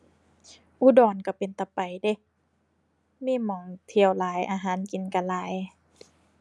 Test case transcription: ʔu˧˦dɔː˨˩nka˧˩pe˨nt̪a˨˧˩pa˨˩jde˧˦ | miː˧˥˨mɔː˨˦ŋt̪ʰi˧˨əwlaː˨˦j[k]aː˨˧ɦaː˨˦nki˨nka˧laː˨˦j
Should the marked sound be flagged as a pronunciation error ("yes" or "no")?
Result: yes